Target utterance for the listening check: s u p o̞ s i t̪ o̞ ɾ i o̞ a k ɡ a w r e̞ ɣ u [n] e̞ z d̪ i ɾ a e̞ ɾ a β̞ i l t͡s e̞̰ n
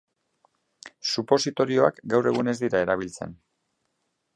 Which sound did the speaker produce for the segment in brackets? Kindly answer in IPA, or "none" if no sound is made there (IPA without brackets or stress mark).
n